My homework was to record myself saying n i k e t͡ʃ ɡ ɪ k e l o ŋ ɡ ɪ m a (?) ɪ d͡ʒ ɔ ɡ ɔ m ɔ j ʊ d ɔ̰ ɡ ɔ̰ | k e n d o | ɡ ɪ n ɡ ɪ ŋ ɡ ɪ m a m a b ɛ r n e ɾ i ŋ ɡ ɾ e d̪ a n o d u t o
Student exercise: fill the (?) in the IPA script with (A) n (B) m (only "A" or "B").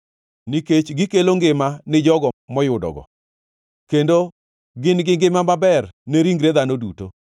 A